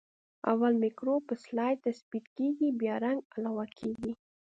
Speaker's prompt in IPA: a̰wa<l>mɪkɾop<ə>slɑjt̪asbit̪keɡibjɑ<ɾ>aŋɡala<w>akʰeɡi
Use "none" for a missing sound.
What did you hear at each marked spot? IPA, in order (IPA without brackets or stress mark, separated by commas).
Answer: l, ə, ɾ, w